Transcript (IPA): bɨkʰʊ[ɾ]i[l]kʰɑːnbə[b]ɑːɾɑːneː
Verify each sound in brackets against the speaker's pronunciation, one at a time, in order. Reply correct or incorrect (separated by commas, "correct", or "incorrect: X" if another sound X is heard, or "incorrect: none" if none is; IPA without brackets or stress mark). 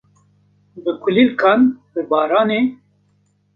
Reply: incorrect: l, correct, correct